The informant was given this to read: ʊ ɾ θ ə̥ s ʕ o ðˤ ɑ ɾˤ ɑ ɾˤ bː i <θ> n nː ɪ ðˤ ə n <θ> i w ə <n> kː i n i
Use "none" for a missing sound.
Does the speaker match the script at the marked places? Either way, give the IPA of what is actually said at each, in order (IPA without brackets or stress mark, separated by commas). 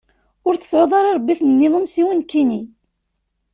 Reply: θ, s, n